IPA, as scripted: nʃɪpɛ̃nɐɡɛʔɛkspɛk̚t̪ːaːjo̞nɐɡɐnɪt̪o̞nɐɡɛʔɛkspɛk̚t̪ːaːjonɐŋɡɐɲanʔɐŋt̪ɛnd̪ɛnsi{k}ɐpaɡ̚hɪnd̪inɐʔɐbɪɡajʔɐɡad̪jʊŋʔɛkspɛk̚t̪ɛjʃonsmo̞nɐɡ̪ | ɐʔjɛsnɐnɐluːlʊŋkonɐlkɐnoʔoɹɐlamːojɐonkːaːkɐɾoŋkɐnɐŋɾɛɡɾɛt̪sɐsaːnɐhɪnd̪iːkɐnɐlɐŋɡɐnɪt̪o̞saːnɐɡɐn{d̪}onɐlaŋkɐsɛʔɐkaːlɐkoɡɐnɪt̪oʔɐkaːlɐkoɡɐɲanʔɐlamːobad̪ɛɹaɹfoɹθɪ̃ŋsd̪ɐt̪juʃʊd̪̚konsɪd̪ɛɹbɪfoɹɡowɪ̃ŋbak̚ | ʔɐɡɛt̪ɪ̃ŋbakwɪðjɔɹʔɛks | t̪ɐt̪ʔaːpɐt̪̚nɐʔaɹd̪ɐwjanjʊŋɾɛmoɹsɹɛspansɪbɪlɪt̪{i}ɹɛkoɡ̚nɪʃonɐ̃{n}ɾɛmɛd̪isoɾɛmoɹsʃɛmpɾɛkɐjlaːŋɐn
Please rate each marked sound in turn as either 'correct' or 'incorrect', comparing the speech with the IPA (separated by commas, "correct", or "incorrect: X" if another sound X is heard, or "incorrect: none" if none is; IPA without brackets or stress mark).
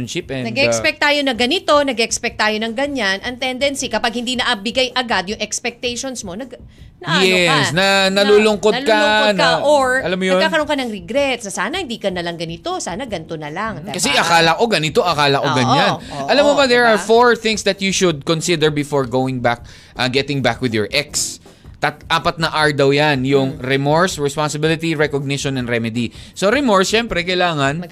correct, incorrect: t̪, correct, correct